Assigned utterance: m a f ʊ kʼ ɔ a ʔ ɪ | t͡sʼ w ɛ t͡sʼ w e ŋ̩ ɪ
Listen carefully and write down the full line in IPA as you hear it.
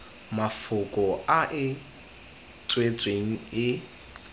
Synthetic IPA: m a f ʊ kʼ ɔ a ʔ ɪ | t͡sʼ w e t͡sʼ w e ŋ̩ ɪ